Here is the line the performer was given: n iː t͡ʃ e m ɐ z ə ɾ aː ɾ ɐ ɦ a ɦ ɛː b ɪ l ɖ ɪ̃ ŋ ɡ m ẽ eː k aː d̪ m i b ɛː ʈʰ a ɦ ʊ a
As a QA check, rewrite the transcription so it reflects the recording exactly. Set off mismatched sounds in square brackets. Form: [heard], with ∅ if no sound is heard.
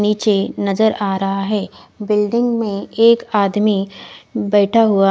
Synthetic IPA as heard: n iː t͡ʃ e [n] ɐ z ə ɾ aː ɾ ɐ ɦ a ɦ ɛː b ɪ l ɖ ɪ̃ ŋ ɡ m ẽ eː k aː d̪ m i b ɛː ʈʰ a ɦ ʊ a